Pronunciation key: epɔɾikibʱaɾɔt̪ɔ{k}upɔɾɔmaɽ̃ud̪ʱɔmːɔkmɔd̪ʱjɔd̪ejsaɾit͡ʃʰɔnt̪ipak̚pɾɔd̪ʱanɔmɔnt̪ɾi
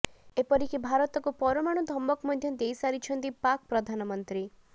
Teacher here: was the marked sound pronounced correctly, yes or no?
yes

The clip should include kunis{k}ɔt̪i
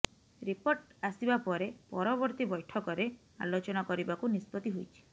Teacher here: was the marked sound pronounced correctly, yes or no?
no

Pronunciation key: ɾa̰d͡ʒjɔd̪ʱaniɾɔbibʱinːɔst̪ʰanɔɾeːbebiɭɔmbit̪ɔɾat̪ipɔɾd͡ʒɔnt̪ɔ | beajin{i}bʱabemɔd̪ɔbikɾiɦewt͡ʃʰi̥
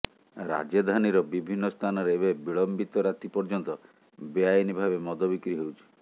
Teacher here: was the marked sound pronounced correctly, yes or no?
yes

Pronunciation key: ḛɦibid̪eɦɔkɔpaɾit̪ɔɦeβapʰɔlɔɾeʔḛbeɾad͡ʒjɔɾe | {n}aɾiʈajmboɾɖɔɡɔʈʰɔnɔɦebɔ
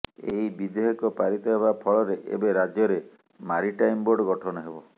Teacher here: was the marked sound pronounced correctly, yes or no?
no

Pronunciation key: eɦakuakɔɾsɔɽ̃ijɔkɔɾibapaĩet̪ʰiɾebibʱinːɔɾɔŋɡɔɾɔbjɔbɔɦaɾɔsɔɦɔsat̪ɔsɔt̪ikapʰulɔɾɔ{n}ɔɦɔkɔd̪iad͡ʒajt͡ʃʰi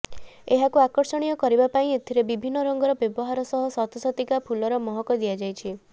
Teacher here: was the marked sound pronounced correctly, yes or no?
no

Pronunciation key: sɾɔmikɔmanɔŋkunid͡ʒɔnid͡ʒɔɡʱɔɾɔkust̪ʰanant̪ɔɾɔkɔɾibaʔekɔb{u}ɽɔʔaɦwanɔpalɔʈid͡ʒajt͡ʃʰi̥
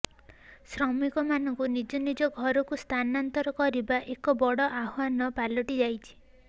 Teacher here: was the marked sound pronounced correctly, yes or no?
no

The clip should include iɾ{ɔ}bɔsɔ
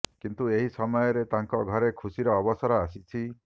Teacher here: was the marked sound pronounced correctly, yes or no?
no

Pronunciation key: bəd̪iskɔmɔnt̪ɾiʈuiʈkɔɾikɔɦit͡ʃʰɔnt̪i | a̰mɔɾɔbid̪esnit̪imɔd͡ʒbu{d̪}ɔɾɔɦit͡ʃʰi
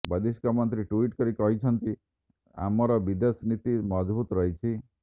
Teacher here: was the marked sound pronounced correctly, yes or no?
no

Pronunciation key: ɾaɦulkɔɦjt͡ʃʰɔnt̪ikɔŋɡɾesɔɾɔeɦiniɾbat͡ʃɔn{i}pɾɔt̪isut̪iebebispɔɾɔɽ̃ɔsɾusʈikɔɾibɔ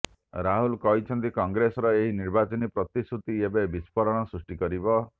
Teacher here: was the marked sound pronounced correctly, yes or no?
yes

